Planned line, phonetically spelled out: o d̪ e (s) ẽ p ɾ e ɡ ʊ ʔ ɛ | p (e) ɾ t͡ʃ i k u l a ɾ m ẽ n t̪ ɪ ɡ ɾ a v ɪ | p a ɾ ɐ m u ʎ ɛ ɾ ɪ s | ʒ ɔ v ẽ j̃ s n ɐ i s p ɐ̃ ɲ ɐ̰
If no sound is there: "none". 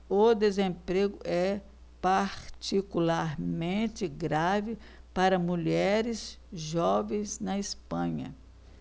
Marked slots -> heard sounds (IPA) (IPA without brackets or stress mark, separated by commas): z, a